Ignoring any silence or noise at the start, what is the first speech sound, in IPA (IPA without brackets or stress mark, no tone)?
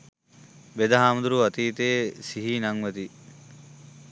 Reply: b